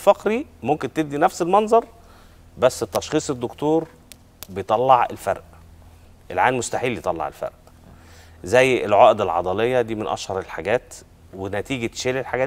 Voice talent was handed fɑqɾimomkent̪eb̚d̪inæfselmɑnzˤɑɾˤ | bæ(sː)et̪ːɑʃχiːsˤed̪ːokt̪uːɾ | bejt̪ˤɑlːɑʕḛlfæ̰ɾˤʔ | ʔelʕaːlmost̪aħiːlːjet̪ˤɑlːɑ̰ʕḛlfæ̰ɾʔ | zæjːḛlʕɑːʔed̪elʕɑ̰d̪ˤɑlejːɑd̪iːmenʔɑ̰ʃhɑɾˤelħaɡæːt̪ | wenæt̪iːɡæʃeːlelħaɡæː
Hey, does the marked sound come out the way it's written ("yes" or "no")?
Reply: yes